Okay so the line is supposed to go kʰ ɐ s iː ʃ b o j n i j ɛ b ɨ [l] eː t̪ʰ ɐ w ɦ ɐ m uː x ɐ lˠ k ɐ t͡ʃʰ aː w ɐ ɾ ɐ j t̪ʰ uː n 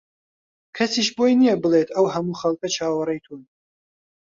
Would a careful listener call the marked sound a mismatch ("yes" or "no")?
no